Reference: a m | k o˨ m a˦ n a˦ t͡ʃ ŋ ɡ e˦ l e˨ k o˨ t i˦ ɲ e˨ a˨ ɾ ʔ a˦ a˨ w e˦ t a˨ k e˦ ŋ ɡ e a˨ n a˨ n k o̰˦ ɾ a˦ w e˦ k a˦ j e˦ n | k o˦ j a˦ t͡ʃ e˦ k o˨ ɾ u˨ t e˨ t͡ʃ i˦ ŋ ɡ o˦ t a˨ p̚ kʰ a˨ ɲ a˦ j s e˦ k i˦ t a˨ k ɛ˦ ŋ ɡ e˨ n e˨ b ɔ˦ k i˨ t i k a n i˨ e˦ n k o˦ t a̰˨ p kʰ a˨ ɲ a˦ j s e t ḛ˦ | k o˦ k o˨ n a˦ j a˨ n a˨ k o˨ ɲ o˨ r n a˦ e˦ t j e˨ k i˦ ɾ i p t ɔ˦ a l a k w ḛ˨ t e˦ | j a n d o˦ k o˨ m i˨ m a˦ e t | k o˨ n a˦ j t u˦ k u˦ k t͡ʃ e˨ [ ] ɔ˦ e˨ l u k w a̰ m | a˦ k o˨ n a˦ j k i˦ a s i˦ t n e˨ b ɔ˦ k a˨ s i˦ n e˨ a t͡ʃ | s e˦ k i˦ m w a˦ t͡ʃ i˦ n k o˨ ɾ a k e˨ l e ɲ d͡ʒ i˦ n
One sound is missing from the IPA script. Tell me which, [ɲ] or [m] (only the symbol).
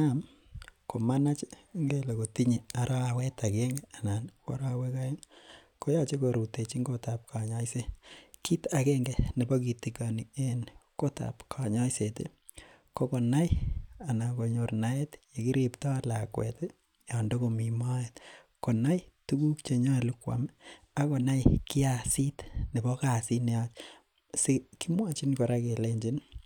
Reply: ɲ